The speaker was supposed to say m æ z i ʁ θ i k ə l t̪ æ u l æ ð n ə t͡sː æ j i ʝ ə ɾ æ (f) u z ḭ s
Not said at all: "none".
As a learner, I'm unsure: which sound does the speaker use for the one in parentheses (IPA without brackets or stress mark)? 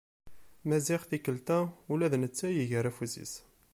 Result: f